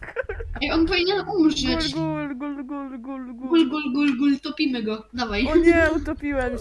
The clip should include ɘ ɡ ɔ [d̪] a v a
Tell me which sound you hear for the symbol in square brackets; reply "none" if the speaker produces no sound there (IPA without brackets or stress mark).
d̪